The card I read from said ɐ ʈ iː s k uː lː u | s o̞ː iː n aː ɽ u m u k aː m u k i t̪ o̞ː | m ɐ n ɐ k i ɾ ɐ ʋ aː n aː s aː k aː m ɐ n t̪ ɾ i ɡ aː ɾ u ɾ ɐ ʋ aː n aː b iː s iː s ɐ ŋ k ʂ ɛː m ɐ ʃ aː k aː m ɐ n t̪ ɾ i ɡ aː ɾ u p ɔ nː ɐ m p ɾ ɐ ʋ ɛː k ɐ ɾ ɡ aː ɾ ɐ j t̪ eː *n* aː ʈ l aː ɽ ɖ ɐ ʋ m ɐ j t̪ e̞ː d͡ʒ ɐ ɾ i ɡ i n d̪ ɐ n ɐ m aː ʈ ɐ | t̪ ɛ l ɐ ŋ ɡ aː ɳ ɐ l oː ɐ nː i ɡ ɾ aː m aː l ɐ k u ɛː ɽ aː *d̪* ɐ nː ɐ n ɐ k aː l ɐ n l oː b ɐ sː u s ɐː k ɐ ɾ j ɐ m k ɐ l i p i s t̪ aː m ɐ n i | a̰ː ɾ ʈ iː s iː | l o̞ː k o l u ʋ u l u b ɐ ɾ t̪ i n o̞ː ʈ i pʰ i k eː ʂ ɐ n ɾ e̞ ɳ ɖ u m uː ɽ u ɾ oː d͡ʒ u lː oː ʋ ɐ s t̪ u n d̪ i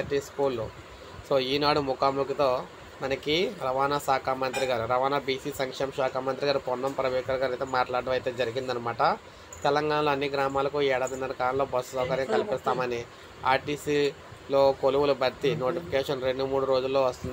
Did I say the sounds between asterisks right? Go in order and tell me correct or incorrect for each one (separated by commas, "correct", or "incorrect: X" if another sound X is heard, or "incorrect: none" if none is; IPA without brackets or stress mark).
incorrect: m, correct